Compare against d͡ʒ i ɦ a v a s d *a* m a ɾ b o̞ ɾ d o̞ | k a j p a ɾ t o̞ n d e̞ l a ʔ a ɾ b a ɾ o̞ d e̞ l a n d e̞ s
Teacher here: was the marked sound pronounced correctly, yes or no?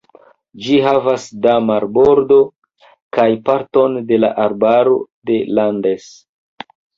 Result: yes